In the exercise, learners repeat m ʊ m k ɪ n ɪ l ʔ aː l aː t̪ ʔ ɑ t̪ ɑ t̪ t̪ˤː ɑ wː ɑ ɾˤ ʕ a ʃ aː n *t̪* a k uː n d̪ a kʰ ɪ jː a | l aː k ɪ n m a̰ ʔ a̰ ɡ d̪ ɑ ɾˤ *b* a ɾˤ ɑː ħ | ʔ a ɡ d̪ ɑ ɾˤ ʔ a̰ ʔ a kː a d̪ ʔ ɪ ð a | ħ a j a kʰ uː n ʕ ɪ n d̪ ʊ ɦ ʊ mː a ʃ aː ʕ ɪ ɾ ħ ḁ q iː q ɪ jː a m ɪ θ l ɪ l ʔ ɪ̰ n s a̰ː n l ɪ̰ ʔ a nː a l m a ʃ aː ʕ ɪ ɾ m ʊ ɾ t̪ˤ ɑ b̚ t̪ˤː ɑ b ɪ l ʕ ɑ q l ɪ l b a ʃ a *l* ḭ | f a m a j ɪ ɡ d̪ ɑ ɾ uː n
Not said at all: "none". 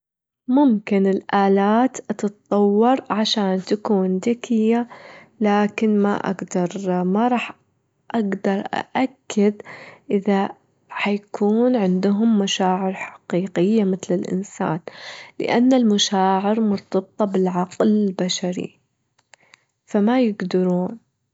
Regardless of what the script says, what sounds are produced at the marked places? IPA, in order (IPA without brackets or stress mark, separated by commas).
t̪, m, ɾ